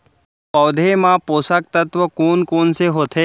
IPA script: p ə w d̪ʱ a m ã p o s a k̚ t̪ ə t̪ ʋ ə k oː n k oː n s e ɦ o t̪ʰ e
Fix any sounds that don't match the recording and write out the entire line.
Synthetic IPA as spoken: p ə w d̪ʱ e m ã p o s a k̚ t̪ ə t̪ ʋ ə k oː n k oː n s e ɦ o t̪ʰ e